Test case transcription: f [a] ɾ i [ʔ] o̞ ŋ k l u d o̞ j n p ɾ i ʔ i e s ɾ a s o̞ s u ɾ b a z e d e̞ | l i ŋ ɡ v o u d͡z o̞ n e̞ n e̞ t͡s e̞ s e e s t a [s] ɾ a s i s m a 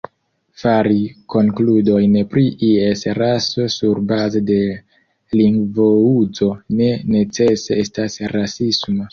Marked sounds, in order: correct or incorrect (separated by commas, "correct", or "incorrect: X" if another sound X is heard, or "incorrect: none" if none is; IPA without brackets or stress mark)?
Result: correct, incorrect: k, correct